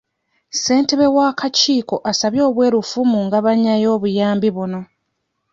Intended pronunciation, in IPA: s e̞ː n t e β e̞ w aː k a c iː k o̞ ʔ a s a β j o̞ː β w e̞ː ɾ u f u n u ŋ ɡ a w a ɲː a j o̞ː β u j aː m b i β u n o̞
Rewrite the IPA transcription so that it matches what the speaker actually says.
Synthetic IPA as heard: s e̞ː n t e β e̞ w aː k a c iː k o̞ ʔ a s a β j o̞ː β w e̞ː ɾ u f u m u ŋ ɡ a β a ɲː a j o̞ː β u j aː m b i β u n o̞